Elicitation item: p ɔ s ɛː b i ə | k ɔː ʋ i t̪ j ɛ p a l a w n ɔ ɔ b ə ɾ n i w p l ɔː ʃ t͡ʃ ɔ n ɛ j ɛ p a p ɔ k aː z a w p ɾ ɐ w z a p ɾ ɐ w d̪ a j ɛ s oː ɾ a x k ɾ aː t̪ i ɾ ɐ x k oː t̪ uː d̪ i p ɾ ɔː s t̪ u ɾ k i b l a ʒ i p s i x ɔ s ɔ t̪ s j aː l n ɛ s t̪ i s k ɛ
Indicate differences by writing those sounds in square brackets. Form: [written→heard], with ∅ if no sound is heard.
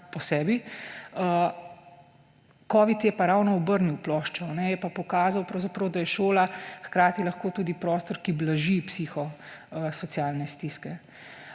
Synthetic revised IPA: p ɔ s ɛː b i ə | k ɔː ʋ i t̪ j ɛ p a [l→ɾ] a w n ɔ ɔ b ə ɾ n i w p l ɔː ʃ t͡ʃ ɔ n ɛ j ɛ p a p ɔ k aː z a w p ɾ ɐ w z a p ɾ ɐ w d̪ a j ɛ [s→ʃ] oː [ɾ→l] a x k ɾ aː t̪ i [ɾ→l] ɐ x k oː t̪ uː d̪ i p ɾ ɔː s t̪ [u→ɔ] ɾ k i b l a ʒ i p s i x ɔ s ɔ t̪ s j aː l n ɛ s t̪ i s k ɛ